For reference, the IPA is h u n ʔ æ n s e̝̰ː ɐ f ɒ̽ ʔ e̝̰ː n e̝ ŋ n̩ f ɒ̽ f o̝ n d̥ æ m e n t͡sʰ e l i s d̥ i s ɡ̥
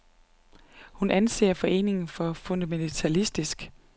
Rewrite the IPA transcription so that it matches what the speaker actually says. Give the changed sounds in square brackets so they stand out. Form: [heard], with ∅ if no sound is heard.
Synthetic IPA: h u n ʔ æ n s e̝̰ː ɐ f ɒ̽ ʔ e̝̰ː n e̝ ŋ n̩ f ɒ̽ f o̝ n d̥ æ m e n t͡sʰ [æ] l i s d̥ i s ɡ̥